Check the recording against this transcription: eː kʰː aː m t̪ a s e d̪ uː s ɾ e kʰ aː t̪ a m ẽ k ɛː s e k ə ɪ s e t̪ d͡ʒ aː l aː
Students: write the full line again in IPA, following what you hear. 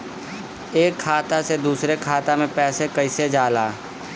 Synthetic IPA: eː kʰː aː t̪ a s e d̪ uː s ɾ e kʰ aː t̪ a m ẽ p ɛː s e k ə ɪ s e d͡ʒ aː l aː

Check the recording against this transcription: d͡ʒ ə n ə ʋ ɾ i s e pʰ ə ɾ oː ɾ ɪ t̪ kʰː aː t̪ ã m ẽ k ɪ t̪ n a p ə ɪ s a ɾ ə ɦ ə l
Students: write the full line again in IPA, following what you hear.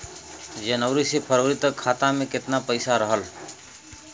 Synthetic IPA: d͡ʒ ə n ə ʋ ɾ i s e pʰ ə ɾ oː ɾ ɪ t̪ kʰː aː t̪ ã m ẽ k ɪ t̪ n a p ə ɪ s a ɾ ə ɦ ə l

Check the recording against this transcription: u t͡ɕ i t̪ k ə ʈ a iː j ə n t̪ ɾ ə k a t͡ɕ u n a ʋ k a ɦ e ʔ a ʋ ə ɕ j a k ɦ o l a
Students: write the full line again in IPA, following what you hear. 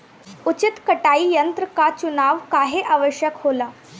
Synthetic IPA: u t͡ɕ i t̪ k ə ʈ a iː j ə n t̪ ɾ ə k a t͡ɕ u n a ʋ k a ɦ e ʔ a ʋ ə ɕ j ə k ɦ o l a

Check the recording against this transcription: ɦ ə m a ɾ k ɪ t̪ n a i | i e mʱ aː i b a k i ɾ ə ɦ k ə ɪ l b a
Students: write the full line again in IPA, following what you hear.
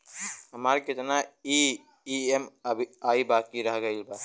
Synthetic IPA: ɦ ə m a ɾ k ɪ t̪ n a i | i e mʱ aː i b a k i ɾ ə ɦ ɡ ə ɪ l b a

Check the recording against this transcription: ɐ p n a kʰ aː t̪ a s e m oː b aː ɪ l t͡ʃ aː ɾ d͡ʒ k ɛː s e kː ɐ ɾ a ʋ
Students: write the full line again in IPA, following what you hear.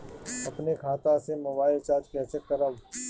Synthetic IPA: ɐ p n e kʰ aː t̪ a s e m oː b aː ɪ l t͡ʃ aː ɾ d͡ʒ k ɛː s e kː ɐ ɾ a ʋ

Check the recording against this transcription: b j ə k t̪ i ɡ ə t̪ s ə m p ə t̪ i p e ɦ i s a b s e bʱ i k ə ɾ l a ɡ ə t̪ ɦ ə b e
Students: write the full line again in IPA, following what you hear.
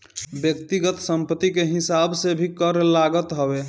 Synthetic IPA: b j ə k t̪ i ɡ ə t̪ s ə m p ə t̪ i k e ɦ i s a b s e bʱ i k ə ɾ l a ɡ ə t̪ ɦ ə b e

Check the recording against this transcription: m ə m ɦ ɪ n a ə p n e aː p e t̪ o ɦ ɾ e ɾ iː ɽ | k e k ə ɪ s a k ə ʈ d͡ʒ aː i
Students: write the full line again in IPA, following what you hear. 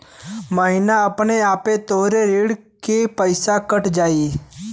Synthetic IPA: m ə ɦ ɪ n a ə p n e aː p e t̪ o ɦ ɾ e ɾ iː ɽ | k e p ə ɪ s a k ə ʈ d͡ʒ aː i

